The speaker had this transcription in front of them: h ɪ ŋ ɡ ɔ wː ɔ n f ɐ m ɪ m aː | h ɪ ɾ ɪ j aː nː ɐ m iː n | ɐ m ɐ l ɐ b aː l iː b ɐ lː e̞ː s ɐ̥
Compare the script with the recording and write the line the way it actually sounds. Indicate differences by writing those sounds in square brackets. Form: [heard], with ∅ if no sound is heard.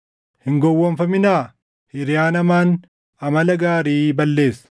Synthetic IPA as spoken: h ɪ ŋ ɡ ɔ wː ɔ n f ɐ m ɪ [n] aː | h ɪ ɾ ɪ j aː [n] ɐ m [aː] n | ɐ m ɐ l ɐ [ɡ] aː [ɾ] iː b ɐ lː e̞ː s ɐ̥